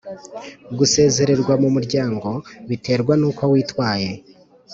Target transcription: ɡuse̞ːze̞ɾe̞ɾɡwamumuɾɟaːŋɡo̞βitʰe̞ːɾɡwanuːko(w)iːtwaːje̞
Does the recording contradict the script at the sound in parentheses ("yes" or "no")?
no